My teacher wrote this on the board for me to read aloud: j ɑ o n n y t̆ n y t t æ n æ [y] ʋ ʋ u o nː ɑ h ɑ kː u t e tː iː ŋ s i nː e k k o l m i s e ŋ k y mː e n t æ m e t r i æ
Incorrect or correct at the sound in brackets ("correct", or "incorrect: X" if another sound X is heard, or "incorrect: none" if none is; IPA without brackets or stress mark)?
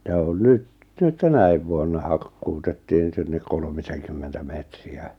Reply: incorrect: i